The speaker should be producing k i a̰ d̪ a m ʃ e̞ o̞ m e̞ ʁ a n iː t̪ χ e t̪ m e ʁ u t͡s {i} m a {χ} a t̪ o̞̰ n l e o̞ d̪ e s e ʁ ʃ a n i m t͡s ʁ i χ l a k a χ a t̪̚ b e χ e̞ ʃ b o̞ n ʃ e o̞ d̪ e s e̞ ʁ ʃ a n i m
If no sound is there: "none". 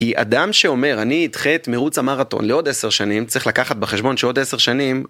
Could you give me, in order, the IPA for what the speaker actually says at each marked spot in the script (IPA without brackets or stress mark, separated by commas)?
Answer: a, ʁ